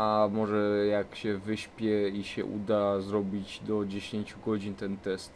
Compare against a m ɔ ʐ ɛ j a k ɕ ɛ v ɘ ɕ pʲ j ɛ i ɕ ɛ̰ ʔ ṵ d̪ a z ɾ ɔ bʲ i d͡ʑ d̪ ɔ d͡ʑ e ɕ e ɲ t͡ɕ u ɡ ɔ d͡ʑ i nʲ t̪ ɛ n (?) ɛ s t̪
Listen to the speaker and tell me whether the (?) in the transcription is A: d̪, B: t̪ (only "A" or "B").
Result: B